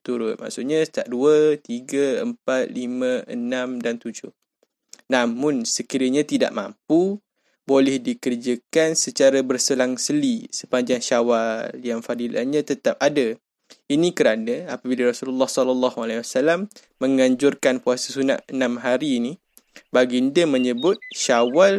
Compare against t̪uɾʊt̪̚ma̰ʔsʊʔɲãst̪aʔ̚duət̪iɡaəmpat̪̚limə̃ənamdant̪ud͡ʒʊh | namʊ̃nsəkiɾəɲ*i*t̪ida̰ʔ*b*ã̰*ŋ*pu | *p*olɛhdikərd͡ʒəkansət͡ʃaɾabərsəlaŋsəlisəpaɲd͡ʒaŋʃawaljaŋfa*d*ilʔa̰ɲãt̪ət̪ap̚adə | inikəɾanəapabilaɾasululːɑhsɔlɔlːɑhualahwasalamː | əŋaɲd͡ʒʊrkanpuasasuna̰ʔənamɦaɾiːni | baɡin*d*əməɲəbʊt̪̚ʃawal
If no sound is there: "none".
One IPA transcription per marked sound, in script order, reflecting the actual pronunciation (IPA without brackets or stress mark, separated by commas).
a, m, m, b, d, d